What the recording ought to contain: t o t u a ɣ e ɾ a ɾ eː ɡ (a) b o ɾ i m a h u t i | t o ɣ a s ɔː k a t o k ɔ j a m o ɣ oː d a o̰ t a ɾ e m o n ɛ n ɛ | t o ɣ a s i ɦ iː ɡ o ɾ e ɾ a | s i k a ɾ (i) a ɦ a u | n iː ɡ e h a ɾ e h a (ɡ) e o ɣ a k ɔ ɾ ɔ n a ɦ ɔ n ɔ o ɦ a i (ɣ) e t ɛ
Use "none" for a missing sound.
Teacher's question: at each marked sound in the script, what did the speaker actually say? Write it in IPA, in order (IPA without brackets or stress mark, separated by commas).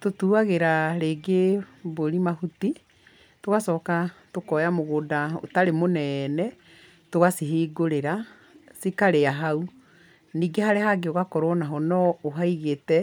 e, e, ɡ, ɣ